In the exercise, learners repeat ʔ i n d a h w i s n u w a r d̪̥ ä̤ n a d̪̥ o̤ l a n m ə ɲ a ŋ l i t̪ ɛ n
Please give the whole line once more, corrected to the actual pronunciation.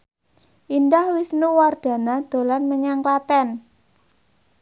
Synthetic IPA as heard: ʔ i n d a h w i s n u w a r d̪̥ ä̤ n a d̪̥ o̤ l a n m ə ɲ a ŋ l a t̪ ɛ n